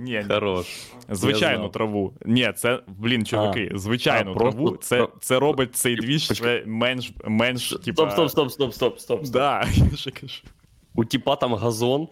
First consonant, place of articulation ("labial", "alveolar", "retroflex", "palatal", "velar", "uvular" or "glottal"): alveolar